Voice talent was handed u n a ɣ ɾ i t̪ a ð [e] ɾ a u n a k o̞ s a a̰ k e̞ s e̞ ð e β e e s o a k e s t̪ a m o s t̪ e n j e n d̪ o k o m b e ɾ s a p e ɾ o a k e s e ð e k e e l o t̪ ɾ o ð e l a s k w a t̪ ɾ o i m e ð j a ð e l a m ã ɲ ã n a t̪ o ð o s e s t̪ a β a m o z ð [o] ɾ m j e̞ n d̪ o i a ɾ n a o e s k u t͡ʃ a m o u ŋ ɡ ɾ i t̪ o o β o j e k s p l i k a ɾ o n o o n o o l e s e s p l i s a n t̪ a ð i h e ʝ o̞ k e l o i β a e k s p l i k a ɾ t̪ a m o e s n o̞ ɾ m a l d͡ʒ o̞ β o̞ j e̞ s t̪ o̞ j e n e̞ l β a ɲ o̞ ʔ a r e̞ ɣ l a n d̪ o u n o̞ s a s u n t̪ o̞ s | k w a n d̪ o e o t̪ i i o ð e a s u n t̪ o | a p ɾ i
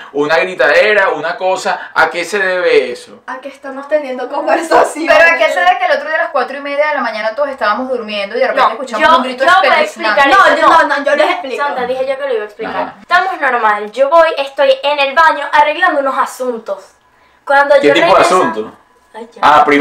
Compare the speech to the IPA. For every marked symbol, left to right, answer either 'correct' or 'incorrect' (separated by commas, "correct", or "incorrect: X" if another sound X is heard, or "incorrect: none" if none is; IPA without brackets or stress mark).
correct, incorrect: u